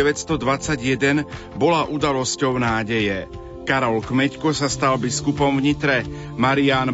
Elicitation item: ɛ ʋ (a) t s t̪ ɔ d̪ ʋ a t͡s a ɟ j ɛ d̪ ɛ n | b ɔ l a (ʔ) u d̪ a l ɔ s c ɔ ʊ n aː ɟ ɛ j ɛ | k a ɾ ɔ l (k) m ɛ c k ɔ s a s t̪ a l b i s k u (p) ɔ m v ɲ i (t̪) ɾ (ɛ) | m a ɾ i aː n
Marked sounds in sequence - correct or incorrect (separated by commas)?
incorrect, correct, correct, correct, correct, correct